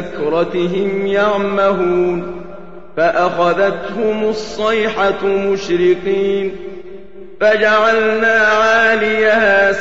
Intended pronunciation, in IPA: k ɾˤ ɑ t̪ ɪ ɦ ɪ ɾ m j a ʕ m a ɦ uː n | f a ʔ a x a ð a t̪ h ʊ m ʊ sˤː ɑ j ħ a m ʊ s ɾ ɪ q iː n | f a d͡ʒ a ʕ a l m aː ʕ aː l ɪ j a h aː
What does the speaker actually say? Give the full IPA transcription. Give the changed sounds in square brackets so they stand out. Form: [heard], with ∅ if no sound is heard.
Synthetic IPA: k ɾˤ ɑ t̪ ɪ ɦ ɪ [∅] m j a ʕ m a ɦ uː n | f a ʔ a x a ð a t̪ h ʊ m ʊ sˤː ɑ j ħ a m ʊ [ʃ] ɾ ɪ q iː n | f a d͡ʒ a ʕ a l [n] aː ʕ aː l ɪ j a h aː